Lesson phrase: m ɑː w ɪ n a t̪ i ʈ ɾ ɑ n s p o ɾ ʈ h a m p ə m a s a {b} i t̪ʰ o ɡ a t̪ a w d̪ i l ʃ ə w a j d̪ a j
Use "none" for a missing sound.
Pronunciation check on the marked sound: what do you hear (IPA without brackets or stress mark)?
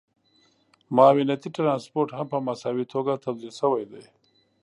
w